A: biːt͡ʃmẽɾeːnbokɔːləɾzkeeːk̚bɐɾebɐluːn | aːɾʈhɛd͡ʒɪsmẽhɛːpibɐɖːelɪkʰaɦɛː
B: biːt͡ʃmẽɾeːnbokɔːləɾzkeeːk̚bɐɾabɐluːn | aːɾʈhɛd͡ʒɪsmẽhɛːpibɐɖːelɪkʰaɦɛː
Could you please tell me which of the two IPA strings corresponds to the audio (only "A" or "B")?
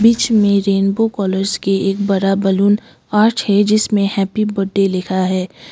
B